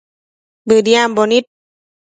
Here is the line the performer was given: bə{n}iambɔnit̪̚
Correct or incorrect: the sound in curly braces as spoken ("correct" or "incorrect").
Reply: incorrect